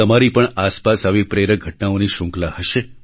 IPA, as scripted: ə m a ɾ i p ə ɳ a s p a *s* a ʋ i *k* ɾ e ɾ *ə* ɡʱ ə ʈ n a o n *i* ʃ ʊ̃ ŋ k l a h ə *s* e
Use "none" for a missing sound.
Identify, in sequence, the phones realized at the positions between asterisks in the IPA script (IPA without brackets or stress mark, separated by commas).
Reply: s, p, ə, i, ʃ